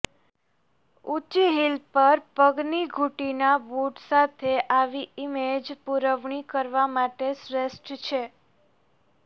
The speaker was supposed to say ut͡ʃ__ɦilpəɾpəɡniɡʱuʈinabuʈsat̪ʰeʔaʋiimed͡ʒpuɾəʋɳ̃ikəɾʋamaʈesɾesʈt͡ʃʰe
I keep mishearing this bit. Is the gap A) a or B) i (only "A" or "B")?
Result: B